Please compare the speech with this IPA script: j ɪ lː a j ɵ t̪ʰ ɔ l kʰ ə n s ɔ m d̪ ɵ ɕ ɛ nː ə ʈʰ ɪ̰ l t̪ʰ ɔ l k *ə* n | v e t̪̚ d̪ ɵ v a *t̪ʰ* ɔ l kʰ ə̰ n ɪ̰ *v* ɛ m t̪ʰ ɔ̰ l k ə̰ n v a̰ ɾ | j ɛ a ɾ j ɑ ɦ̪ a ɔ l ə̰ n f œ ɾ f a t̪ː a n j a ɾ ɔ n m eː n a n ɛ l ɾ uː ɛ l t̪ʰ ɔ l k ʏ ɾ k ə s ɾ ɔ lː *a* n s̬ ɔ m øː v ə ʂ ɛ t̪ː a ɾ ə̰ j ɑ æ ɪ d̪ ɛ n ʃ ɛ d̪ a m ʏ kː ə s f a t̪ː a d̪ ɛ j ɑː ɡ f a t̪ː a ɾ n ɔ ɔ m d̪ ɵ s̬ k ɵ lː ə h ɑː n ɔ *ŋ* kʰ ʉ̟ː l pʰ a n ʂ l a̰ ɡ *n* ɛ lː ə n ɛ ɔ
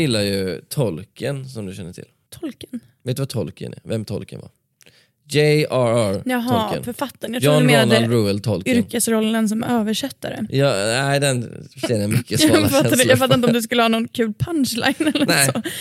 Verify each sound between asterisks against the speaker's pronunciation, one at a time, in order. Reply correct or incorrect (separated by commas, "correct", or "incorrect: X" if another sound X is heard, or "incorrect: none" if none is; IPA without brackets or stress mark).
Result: correct, correct, correct, incorrect: ə, incorrect: n, correct